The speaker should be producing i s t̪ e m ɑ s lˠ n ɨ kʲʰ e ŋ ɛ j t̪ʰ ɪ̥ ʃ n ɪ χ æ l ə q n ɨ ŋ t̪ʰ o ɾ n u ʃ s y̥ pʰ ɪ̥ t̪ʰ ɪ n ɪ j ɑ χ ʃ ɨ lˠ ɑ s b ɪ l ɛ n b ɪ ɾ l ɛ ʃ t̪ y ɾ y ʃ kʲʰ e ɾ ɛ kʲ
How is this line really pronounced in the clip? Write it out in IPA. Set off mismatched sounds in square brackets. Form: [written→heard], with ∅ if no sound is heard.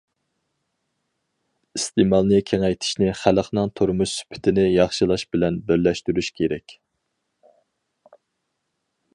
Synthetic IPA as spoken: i s t̪ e m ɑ [s→∅] lˠ n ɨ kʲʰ e ŋ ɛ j t̪ʰ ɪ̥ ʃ n ɪ χ æ l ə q n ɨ ŋ t̪ʰ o ɾ [n→m] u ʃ s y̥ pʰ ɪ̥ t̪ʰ ɪ n ɪ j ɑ χ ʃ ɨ lˠ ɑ [s→ʃ] b ɪ l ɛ n b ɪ ɾ l ɛ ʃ t̪ y ɾ y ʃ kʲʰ e ɾ ɛ kʲ